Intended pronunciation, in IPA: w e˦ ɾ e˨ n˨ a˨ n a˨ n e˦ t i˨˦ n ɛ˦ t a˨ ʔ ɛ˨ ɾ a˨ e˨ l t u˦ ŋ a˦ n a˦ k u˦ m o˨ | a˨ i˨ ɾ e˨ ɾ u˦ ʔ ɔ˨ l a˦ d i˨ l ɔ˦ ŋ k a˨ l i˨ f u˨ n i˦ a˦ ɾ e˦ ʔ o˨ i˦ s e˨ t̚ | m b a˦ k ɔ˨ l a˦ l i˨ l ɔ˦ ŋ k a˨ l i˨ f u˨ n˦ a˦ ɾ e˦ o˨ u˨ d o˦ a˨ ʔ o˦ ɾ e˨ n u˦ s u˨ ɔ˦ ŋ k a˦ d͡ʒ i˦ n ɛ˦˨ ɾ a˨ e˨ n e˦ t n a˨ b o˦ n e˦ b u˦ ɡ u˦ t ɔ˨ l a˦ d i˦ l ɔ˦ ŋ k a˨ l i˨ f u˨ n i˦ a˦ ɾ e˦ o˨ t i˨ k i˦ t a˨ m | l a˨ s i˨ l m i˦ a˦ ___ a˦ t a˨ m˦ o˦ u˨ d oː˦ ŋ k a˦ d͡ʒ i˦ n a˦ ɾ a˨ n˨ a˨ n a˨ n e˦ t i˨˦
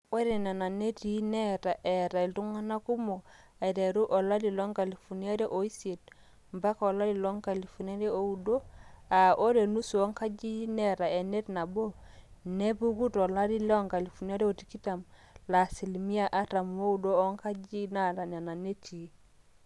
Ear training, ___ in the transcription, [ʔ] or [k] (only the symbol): ʔ